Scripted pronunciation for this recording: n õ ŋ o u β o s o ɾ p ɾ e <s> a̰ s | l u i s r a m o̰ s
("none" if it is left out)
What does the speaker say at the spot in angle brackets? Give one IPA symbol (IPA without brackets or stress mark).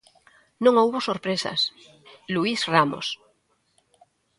s